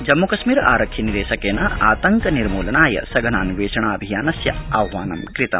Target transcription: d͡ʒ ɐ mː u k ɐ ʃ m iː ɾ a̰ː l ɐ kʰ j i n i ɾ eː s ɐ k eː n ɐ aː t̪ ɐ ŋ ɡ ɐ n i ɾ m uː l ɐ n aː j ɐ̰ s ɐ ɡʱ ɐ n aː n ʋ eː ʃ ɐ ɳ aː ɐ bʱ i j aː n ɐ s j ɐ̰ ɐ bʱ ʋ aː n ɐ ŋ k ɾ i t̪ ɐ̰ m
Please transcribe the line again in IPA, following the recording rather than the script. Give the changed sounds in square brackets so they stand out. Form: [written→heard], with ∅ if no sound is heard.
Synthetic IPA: d͡ʒ ɐ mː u k ɐ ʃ m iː ɾ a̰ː [l→ɾ] ɐ kʰ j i n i ɾ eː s ɐ k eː n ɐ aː t̪ ɐ ŋ [ɡ→k] ɐ n i ɾ m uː l ɐ n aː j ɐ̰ s ɐ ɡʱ ɐ n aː n ʋ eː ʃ ɐ ɳ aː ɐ bʱ i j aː n ɐ s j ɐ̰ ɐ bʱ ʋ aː n ɐ [ŋ→m] k ɾ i t̪ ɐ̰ m